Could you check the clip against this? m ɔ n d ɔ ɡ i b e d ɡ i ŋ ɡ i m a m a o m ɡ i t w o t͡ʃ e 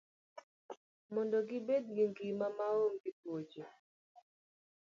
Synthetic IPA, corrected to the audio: m ɔ n d ɔ ɡ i b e d ɡ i ŋ ɡ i m a m a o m ɡ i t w o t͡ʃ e

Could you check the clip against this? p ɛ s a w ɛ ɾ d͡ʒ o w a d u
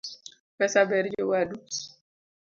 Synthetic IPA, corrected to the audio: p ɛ s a b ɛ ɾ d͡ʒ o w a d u

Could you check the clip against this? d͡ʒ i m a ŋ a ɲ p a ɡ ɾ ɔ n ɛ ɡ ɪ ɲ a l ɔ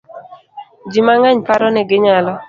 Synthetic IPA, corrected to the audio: d͡ʒ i m a ŋ a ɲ p a ɾ ɔ n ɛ ɡ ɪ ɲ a l ɔ

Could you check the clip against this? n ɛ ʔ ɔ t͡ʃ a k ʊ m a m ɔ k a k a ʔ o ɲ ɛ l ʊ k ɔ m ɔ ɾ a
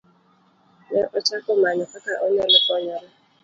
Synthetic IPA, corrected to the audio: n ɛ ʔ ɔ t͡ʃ a k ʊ m a ɲ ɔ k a k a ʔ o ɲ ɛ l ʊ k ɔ ɲ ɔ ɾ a

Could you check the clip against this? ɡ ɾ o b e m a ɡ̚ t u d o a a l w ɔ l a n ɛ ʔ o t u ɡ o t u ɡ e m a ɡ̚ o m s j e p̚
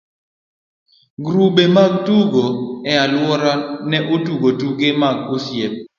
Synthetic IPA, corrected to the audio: ɡ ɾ u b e m a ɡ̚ t u ɡ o ɛ a l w ɔ ɾ a n ɛ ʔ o t u ɡ o t u ɡ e m a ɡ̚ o s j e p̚

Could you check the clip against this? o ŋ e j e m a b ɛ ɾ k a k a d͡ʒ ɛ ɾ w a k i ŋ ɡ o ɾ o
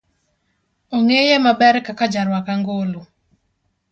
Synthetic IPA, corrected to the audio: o ŋ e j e m a b ɛ ɾ k a k a d͡ʒ a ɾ w a k a ŋ ɡ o l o

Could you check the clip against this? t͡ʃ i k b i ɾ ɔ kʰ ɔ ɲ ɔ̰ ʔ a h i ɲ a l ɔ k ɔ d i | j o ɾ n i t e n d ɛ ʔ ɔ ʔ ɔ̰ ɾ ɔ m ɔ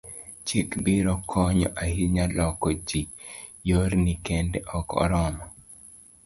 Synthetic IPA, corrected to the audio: t͡ʃ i k b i ɾ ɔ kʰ ɔ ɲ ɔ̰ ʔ a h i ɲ a l ɔ k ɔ d͡ʒ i | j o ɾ n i k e n d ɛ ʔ ɔ k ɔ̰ ɾ ɔ m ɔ

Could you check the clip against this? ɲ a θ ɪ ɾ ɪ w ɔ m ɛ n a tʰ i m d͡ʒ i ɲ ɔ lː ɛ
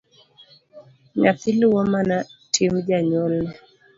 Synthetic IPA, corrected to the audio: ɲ a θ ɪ l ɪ w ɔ m a n a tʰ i m d͡ʒ a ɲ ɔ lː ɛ

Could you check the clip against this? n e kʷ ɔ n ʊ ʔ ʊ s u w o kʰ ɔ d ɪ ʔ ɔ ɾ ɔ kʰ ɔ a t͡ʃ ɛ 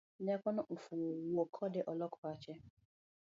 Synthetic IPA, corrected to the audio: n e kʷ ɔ n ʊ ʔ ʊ f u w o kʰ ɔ d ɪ ʔ ɔ l ɔ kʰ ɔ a t͡ʃ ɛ

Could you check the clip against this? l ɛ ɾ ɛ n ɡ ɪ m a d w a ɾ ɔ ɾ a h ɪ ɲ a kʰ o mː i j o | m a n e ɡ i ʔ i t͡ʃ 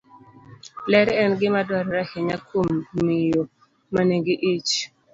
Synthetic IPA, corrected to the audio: l ɛ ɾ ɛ n ɡ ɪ m a d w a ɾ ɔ ɾ a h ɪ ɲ a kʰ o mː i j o | m a n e ɡ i ʔ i t͡ʃ

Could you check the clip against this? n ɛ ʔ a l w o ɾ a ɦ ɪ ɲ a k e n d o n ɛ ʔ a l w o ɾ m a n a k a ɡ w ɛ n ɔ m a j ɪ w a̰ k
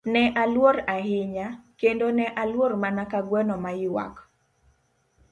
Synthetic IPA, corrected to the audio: n ɛ ʔ a l w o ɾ a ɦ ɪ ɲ a k e n d o n ɛ ʔ a l w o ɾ m a n a k a ɡ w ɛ n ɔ m a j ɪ w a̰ k

